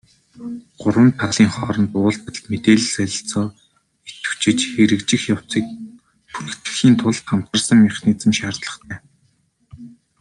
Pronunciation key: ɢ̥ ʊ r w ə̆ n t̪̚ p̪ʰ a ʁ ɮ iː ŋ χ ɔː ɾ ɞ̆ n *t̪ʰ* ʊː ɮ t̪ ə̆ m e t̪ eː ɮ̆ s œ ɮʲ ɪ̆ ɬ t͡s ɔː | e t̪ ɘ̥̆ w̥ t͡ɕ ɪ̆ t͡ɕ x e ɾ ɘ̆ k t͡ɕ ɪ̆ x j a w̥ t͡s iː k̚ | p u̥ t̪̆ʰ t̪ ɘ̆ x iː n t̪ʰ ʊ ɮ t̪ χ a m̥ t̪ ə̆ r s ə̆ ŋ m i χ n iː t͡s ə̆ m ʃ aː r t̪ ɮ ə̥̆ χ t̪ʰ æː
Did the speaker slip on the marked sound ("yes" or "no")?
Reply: yes